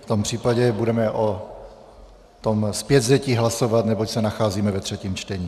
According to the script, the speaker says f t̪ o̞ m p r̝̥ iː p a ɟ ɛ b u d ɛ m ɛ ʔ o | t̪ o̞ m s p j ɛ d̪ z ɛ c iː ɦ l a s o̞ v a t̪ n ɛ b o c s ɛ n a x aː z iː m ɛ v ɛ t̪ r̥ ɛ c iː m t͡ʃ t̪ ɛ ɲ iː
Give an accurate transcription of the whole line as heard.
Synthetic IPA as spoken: f t̪ o̞ m p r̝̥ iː p a ɟ ɛ b u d ɛ m ɛ ʔ o | t̪ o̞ m s p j ɛ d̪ z ɛ c iː ɦ l a s o̞ v a t̪ n ɛ b o c s ɛ n a x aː z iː m ɛ v ɛ t̪ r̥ ɛ c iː m t͡ʃ t̪ ɛ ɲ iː